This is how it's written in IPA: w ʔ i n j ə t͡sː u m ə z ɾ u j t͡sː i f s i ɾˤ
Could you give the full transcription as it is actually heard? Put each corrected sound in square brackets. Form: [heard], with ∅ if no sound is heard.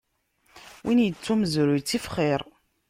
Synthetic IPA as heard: w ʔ i n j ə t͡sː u m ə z ɾ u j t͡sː i f [χ] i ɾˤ